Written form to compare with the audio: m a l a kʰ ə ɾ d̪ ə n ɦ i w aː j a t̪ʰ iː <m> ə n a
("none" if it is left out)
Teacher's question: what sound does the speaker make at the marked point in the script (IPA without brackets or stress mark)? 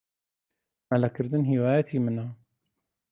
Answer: m